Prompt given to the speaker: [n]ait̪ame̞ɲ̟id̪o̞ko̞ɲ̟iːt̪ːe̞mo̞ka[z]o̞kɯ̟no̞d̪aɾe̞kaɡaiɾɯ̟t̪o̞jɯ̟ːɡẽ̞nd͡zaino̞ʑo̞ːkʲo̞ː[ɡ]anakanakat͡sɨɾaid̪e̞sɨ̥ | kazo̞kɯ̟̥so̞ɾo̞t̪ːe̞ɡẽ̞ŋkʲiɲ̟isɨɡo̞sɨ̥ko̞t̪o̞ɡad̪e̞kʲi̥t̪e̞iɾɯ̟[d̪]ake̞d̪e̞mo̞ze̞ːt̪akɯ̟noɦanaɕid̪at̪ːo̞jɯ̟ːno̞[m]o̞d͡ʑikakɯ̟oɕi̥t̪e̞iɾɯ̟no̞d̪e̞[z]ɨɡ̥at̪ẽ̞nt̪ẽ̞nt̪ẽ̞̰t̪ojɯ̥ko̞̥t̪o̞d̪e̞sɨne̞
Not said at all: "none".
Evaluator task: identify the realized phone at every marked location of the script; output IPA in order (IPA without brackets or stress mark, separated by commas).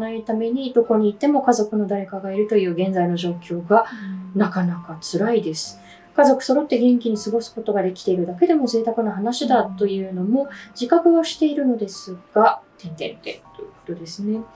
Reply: n, z, ɡ, d̪, m, s